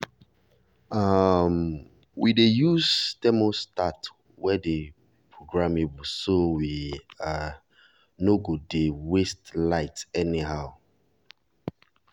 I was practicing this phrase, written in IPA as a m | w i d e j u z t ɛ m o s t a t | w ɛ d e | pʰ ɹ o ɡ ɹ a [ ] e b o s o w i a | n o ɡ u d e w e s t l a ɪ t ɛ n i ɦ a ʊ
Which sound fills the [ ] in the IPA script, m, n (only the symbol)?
m